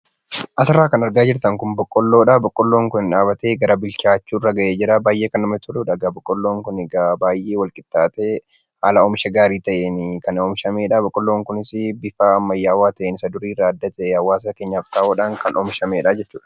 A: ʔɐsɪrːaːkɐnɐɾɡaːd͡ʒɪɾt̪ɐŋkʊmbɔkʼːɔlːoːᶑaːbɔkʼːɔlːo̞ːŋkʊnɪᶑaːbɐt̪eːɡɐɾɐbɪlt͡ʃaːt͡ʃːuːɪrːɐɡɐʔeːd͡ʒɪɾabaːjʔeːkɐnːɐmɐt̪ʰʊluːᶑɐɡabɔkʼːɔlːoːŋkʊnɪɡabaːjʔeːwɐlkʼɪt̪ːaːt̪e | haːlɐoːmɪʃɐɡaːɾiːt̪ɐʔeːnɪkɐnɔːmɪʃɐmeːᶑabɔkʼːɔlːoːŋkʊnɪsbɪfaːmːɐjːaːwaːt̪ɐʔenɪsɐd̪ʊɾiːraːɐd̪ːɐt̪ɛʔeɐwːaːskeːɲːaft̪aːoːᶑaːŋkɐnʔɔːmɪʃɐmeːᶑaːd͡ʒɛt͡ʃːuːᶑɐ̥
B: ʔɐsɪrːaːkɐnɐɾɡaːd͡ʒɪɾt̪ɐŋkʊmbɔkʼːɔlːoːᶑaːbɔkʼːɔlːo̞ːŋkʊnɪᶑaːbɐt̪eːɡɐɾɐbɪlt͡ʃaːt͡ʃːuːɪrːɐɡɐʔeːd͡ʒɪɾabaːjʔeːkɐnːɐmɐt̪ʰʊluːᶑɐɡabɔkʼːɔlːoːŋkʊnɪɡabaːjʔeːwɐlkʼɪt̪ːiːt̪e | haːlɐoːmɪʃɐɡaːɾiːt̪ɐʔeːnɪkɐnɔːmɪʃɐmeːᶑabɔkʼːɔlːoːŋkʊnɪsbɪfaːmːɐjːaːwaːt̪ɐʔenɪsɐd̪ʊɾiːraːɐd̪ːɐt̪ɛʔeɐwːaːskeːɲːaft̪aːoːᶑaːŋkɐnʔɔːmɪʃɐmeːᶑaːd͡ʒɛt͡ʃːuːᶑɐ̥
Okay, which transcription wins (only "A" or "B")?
A